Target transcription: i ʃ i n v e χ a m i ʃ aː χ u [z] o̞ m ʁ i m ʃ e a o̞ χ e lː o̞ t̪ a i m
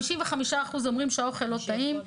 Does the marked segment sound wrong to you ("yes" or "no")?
no